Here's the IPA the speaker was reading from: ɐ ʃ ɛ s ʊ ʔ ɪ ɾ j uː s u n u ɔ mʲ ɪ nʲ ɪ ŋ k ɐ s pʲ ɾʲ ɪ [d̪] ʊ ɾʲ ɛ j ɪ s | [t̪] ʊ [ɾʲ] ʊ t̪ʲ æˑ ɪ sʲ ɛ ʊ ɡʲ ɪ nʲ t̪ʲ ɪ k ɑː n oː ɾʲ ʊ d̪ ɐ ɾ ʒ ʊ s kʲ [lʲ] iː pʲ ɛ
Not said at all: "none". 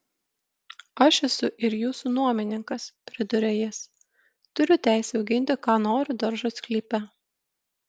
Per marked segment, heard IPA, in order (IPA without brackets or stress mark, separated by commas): d̪, t̪, ɾʲ, lʲ